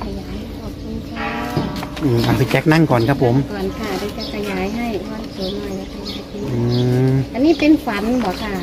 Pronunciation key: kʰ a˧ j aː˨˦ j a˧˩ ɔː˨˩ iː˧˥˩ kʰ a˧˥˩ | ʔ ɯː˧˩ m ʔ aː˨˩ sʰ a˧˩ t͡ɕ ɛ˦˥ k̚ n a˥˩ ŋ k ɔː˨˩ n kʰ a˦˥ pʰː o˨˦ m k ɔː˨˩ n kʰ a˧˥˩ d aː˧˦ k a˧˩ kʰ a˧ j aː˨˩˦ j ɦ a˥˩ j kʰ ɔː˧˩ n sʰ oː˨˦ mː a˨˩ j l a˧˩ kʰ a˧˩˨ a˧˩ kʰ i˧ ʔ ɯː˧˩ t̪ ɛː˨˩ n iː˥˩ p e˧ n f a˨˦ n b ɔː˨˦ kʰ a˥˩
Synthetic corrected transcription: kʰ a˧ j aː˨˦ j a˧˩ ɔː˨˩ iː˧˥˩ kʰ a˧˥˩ | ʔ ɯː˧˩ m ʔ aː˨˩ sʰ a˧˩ t͡ɕ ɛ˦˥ k̚ n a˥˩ ŋ k ɔː˨˩ n kʰ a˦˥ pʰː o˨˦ m k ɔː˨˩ n kʰ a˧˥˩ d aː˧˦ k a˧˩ kʰ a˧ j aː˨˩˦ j ɦ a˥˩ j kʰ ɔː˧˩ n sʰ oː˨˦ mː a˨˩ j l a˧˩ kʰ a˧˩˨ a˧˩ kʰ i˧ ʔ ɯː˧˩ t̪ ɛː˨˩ n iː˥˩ p e˧ n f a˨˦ n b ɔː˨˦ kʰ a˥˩